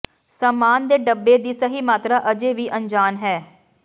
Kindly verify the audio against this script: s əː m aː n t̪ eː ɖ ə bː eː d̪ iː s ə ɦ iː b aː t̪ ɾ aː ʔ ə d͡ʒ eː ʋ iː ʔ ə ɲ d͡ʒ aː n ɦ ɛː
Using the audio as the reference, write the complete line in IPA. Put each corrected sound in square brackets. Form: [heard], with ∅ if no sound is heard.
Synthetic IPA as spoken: s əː m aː n [d̪] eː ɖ ə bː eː d̪ iː s ə ɦ iː [m] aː t̪ ɾ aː ʔ ə d͡ʒ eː ʋ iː ʔ ə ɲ d͡ʒ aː n ɦ ɛː